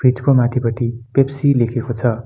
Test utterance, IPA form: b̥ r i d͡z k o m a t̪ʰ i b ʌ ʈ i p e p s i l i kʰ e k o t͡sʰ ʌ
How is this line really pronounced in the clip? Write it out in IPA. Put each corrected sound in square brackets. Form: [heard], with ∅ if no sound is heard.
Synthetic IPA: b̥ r i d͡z k o m a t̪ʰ i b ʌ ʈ i p e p s i l [e] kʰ e k o t͡sʰ ʌ